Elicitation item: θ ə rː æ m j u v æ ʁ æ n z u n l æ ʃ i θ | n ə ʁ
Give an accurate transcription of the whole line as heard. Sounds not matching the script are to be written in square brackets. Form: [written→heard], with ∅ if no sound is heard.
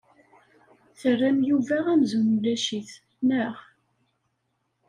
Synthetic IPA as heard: θ ə rː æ m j u v æ ʁ æ [n→m] z u n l æ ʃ i θ | n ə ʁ